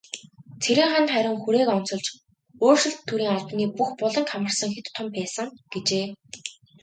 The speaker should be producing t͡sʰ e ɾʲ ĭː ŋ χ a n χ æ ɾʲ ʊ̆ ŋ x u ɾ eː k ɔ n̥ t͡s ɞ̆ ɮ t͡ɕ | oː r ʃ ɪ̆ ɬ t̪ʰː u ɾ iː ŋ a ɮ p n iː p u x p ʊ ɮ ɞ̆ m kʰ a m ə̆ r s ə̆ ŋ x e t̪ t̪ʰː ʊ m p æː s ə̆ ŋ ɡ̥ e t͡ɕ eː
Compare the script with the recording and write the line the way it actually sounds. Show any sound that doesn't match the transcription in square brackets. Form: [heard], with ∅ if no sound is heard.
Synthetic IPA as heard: t͡sʰ e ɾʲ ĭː ŋ χ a n χ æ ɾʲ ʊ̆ ŋ x u ɾ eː k ɔ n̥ t͡s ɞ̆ ɮ t͡ɕ | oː r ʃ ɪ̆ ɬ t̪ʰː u ɾ iː ŋ a ɮ p n iː p u x p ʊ ɮ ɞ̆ [ŋ] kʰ a m ə̆ r s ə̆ ŋ x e t̪ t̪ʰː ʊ m p æː s ə̆ ŋ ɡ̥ e t͡ɕ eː